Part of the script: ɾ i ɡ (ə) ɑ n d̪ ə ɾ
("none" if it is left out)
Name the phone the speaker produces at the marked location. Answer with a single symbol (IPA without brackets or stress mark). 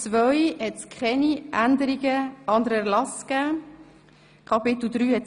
ə